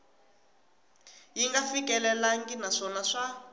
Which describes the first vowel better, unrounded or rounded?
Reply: unrounded